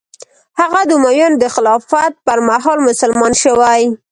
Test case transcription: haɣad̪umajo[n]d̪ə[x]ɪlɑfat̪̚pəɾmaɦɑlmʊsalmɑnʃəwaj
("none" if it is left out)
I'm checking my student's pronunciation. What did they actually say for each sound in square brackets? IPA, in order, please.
n, x

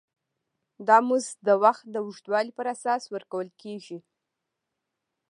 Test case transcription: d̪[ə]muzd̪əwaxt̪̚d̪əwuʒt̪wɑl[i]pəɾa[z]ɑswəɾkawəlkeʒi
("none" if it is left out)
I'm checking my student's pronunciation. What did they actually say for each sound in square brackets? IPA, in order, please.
ɑ, i, s

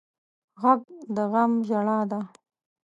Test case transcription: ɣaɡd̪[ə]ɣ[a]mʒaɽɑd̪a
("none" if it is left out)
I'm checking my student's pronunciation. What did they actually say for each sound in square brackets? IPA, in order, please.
ə, a

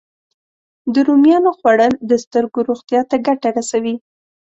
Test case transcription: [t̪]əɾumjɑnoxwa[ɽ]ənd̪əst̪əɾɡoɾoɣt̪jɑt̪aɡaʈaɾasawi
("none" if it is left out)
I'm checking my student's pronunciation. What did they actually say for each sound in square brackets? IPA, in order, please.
d̪, ɽ

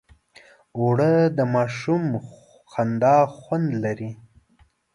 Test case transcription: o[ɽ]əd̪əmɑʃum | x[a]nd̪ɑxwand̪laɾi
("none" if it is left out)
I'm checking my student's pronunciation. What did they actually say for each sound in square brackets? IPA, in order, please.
ɽ, a

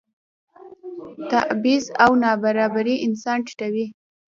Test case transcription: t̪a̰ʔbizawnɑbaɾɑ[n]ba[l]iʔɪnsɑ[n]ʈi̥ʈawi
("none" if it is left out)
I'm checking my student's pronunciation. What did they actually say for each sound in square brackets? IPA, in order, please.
none, ɾ, n

